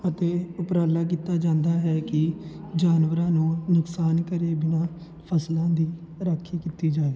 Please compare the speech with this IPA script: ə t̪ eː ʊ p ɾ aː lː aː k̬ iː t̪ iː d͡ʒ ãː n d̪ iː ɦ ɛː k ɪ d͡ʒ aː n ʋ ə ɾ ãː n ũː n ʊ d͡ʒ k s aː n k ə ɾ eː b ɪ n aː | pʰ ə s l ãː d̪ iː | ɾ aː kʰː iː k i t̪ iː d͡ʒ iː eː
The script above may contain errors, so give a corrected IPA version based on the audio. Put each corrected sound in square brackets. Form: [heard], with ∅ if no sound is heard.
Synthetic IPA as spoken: ə t̪ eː ʊ p ɾ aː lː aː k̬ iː t̪ [aː] d͡ʒ ãː n d̪ [aː] ɦ ɛː k ɪ d͡ʒ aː n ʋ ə ɾ ãː n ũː n ʊ [∅] k s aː n k ə ɾ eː b ɪ n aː | pʰ ə s l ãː d̪ iː | ɾ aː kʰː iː k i t̪ iː d͡ʒ [aː] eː